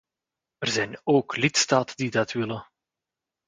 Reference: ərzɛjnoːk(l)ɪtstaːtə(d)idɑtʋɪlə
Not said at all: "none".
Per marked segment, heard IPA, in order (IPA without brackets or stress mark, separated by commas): l, d